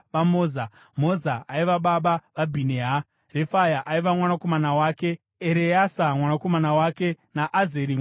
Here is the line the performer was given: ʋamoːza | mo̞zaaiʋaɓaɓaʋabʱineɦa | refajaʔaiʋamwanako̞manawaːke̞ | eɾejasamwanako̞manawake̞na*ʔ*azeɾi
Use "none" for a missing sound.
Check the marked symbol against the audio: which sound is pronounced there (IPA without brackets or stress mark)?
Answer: ʔ